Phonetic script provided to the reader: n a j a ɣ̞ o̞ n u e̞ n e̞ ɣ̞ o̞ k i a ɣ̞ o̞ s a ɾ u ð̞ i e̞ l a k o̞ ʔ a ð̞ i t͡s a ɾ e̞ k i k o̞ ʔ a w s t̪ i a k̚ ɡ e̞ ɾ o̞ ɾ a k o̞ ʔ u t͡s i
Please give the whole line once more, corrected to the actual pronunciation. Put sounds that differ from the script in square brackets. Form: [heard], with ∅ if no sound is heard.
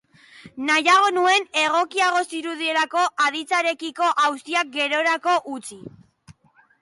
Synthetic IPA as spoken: n a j a ɣ̞ o̞ n u e̞ n e̞ ɣ̞ o̞ k i a ɣ̞ o̞ s [i] ɾ u ð̞ i e̞ l a k o̞ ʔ a ð̞ i t͡s a ɾ e̞ k i k o̞ ʔ a w s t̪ i a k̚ ɡ e̞ ɾ o̞ ɾ a k o̞ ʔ u t͡s i